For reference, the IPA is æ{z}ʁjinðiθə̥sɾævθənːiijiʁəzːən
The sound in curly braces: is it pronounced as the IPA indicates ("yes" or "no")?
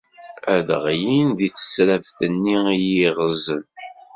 no